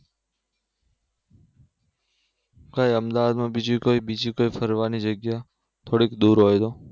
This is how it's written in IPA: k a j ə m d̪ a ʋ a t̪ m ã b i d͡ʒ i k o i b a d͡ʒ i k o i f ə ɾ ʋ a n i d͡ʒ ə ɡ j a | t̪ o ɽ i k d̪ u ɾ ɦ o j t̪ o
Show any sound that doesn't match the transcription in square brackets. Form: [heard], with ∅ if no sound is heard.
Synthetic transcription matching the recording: k a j ə m d̪ a ʋ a [d̪] m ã b i d͡ʒ i k o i b [i] d͡ʒ i k o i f ə ɾ ʋ a n i d͡ʒ ə ɡ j a | [t̪ʰ] o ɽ i k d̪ u ɾ ɦ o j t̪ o